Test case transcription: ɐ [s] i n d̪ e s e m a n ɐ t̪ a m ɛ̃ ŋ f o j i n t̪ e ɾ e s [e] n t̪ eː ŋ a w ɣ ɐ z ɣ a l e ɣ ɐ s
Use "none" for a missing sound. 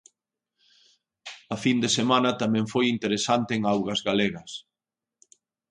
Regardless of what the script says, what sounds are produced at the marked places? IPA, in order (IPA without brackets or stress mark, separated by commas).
f, a